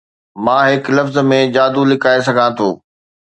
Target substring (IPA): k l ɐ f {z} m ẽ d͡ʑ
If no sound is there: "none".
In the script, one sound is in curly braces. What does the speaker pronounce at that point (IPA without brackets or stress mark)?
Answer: z